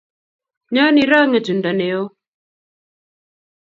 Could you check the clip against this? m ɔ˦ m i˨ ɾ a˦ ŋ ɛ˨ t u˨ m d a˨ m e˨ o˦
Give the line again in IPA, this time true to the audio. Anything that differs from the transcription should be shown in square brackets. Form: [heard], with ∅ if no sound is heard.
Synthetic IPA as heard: [ɲ] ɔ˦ [n] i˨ ɾ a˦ ŋ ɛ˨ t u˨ [n] d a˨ [n] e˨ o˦